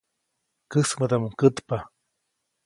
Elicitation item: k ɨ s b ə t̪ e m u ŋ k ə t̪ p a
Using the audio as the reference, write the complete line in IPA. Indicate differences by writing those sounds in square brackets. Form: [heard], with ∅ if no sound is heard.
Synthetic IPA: k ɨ s [m] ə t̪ [a] m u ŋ k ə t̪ p a